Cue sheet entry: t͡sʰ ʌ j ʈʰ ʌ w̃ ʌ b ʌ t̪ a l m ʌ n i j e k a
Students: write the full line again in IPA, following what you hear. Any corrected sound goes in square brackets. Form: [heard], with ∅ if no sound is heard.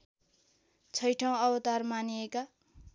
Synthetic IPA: t͡sʰ ʌ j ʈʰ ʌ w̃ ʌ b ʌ t̪ a [r] m [a] n i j e k a